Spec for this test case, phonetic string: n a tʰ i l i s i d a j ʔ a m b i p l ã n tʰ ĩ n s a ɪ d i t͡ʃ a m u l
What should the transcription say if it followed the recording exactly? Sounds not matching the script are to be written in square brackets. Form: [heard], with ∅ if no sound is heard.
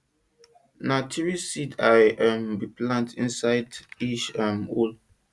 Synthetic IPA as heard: n a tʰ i [ɹ] i s i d a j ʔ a m b i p l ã n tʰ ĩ n s a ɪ d i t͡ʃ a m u l